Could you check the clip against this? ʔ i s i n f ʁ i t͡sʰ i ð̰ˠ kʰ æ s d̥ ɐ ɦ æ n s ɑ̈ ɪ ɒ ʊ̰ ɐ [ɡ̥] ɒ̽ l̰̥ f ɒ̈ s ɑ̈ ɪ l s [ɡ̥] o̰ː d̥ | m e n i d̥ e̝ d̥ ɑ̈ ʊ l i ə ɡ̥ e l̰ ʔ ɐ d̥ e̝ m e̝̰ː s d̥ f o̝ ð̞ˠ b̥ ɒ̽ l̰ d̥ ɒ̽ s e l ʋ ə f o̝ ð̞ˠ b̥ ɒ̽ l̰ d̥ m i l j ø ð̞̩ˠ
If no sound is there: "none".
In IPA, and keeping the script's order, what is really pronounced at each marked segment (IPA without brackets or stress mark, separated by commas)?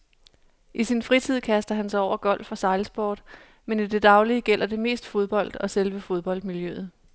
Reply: ɡ̥, b̥